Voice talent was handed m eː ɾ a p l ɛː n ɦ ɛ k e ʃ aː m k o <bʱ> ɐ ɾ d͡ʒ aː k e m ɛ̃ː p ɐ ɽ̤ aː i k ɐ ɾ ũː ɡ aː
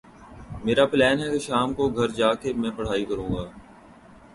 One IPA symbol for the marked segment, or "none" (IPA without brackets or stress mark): ɡʱ